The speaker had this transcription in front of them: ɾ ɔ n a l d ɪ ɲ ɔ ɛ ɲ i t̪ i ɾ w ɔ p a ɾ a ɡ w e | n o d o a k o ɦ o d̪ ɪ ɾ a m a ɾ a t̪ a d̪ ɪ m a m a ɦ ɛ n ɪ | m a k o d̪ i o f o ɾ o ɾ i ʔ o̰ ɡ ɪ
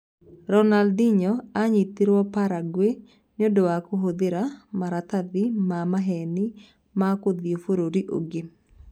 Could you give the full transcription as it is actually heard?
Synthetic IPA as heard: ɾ ɔ n a l d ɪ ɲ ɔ a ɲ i t̪ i ɾ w ɔ p a ɾ a ɡ w e | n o d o a k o ɦ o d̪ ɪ ɾ a m a ɾ a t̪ a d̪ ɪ m a m a ɦ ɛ n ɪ | m a k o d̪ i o f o ɾ o ɾ i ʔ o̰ ɡ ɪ